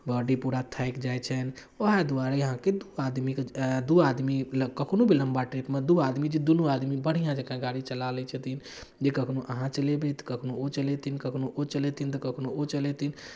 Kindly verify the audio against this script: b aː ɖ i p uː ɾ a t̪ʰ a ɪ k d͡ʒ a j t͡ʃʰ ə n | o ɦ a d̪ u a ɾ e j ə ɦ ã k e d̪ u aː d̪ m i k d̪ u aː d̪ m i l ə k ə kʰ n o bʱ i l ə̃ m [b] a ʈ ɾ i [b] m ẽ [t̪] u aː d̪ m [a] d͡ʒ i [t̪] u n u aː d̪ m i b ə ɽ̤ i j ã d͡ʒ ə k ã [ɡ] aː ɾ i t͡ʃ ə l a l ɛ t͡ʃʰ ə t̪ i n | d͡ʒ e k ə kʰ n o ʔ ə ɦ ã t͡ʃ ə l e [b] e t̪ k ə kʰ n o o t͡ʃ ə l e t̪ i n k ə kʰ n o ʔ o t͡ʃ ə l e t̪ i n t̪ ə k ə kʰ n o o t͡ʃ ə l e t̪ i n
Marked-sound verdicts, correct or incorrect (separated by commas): correct, incorrect, incorrect, incorrect, incorrect, correct, correct